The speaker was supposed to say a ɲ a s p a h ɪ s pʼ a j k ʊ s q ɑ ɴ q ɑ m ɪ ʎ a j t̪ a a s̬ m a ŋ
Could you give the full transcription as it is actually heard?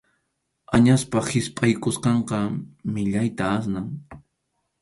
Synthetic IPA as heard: a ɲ a s p a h ɪ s pʼ a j k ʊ s q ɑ ɴ q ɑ m ɪ ʎ a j t̪ a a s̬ n a ŋ